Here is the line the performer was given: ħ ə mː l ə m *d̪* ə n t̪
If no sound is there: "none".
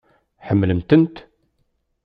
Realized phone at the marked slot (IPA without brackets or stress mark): t̪